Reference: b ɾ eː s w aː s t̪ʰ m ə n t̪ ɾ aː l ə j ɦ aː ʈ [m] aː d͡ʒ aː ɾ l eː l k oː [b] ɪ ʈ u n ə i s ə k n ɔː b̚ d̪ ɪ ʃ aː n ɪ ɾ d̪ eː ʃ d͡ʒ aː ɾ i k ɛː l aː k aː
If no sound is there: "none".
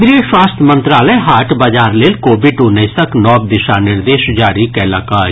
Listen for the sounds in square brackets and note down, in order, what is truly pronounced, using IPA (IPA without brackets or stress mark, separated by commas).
b, b